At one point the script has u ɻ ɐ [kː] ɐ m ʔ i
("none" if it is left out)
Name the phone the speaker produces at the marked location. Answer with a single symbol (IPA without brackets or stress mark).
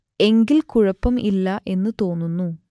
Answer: pː